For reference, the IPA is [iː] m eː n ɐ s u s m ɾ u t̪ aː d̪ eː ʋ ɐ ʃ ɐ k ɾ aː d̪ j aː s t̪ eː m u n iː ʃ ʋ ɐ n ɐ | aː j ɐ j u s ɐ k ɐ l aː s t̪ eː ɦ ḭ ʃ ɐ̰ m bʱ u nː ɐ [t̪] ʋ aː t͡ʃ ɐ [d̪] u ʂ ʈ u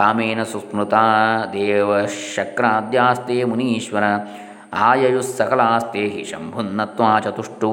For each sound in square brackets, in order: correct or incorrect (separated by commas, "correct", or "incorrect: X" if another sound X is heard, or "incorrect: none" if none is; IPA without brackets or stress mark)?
incorrect: aː, correct, incorrect: t̪